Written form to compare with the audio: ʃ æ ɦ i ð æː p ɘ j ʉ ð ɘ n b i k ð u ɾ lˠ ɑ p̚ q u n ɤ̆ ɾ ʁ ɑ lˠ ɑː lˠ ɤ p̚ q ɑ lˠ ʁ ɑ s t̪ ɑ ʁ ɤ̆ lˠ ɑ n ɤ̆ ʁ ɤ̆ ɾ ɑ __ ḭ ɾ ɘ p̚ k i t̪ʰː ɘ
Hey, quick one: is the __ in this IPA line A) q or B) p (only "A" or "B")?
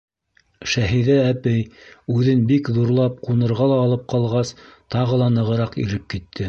A